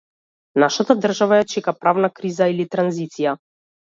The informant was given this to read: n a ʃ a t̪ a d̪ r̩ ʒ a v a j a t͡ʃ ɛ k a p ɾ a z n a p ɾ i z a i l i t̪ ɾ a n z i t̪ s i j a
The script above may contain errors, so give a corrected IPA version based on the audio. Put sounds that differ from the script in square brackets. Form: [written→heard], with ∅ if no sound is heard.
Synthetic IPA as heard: n a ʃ a t̪ a d̪ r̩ ʒ a v a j a t͡ʃ ɛ k a p ɾ a [z→v] n a [p→k] ɾ i z a i l i t̪ ɾ a n z i t̪ s i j a